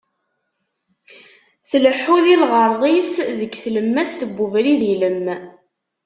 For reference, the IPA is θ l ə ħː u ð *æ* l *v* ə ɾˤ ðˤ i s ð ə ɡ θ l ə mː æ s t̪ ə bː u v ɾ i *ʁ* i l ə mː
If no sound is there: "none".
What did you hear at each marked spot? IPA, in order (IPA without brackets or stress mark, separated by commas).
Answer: i, ʁ, ð